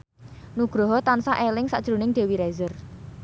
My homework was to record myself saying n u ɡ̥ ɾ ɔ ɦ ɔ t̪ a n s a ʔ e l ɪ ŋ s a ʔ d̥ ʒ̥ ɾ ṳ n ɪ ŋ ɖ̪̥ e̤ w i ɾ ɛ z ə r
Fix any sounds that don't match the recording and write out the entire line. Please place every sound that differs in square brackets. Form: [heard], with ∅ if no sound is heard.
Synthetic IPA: n u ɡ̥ ɾ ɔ ɦ ɔ t̪ a n s a ʔ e l ɪ ŋ s a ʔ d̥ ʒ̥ ɾ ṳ n ɪ ŋ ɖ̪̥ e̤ w i ɾ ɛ z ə r